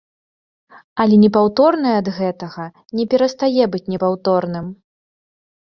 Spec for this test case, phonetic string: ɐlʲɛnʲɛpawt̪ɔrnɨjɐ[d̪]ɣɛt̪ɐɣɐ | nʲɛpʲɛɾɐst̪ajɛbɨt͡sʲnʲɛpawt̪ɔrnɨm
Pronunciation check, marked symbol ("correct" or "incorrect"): correct